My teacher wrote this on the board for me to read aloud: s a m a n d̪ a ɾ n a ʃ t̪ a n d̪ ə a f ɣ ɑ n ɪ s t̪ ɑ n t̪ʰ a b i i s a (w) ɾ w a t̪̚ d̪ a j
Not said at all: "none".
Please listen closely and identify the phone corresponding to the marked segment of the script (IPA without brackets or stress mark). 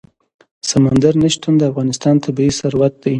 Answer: none